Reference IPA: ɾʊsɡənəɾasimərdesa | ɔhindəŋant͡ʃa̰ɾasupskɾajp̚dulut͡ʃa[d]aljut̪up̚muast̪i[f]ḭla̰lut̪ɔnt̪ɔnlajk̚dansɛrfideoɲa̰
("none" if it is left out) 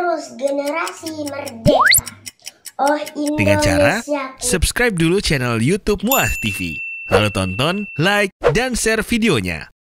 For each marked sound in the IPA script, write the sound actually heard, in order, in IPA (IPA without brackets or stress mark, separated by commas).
n, f